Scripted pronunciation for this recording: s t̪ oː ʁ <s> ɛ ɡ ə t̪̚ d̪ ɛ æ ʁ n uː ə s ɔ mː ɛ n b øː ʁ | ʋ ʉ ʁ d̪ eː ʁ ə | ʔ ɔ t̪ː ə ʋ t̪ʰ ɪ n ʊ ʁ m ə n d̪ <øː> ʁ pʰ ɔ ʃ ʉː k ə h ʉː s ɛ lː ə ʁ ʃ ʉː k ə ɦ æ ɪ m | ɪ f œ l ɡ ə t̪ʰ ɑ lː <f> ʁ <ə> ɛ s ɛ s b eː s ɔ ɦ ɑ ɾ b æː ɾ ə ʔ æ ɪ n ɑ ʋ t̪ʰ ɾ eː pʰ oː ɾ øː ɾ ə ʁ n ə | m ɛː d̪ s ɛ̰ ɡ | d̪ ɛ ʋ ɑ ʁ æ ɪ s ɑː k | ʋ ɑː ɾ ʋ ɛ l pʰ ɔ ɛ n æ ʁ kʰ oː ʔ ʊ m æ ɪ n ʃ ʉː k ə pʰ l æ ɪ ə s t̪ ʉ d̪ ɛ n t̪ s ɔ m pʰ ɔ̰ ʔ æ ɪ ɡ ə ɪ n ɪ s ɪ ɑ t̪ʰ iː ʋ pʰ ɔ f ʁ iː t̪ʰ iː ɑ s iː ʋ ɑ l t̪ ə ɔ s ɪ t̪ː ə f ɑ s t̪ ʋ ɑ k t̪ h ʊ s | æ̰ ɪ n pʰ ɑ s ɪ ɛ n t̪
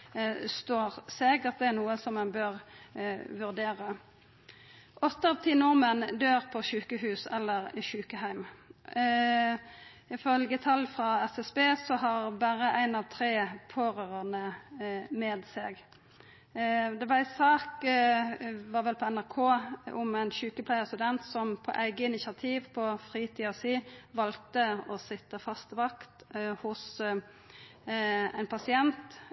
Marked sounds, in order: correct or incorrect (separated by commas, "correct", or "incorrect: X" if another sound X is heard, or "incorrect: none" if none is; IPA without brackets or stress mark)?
correct, correct, correct, incorrect: ɑ